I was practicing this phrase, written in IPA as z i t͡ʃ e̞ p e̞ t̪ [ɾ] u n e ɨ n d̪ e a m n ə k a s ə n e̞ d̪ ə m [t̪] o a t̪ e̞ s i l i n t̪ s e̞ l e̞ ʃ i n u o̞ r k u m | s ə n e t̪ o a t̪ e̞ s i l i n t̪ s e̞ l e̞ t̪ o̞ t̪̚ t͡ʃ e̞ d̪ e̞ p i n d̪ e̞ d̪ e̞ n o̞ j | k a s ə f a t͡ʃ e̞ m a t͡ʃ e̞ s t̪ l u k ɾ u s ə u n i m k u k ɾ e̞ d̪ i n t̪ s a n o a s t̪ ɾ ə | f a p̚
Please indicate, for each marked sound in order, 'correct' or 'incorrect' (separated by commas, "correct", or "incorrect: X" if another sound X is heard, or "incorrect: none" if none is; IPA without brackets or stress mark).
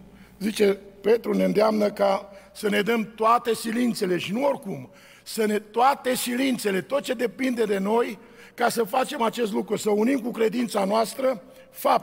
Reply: correct, correct